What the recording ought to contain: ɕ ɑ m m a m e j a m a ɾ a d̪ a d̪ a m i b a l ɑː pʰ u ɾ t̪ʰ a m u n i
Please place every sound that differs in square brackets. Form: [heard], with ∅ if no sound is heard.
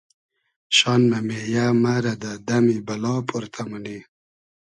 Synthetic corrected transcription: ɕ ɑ [n] m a m e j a m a ɾ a d̪ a d̪ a m i b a l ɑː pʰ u ɾ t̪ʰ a m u n i